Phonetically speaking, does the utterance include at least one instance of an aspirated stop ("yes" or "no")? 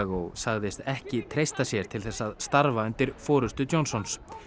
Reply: yes